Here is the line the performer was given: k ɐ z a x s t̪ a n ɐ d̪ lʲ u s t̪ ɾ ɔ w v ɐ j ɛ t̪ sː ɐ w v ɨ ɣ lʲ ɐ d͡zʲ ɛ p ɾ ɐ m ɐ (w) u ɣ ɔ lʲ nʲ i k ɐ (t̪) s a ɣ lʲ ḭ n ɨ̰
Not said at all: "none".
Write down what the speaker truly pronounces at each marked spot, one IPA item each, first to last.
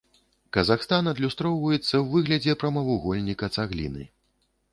v, t̪

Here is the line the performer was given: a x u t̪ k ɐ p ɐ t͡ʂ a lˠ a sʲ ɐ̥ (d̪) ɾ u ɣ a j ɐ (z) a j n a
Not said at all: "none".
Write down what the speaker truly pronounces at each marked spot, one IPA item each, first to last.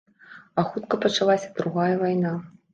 d̪, v

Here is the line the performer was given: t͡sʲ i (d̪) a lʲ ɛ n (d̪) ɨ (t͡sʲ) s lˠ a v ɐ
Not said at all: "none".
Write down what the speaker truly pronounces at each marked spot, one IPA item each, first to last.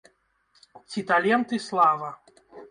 t̪, t̪, none

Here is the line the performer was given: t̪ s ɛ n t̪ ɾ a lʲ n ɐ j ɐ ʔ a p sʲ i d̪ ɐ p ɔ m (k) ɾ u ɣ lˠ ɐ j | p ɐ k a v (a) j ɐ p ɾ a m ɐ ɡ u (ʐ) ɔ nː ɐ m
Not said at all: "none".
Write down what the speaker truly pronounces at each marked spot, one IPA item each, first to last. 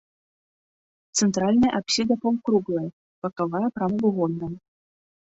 k, a, ɣ

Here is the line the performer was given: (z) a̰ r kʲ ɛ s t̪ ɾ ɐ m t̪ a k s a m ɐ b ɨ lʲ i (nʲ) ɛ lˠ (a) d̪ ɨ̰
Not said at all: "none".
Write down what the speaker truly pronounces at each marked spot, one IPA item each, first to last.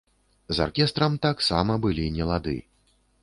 z, nʲ, a

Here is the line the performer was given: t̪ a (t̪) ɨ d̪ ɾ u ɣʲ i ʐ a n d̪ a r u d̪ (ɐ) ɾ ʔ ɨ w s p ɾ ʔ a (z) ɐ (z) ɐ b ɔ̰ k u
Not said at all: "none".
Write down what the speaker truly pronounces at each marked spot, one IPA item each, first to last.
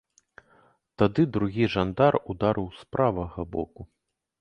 d̪, a, v, ɣ

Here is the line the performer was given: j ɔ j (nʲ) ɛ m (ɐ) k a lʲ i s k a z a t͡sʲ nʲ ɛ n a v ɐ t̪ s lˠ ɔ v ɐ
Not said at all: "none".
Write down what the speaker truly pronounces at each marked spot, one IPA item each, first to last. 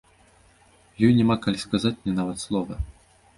nʲ, a

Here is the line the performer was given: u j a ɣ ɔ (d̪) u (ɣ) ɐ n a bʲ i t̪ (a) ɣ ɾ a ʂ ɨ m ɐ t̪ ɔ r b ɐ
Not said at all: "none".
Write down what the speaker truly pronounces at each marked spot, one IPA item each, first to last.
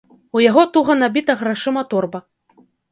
t̪, ɣ, ɐ

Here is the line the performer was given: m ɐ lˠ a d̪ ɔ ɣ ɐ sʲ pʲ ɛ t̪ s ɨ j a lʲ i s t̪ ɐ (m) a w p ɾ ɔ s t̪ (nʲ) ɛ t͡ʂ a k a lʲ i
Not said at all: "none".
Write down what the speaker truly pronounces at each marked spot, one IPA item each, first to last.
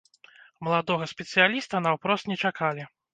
n, nʲ

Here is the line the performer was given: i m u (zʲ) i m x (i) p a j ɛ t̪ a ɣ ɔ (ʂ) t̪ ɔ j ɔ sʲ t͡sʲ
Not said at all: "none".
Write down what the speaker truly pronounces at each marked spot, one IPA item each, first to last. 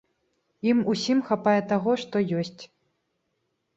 sʲ, a, ʂ

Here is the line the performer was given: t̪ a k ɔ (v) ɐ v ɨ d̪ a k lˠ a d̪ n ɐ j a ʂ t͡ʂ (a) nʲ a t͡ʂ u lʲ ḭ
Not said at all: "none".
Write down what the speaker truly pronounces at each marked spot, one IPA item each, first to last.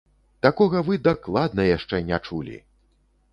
ɣ, ɛ

